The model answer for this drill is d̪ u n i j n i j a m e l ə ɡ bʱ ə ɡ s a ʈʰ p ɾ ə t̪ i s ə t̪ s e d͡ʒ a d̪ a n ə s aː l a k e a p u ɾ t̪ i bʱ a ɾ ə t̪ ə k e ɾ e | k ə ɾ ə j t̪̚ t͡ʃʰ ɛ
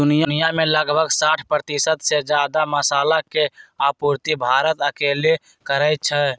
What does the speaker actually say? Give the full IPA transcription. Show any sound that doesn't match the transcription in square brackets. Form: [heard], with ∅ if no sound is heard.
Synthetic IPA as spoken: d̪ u n i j n i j a m e l ə ɡ bʱ ə ɡ s a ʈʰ p ɾ ə t̪ i s ə t̪ s e d͡ʒ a d̪ a [m] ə s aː l a k e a p u ɾ t̪ i bʱ a ɾ ə t̪ ə k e [l] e | k ə ɾ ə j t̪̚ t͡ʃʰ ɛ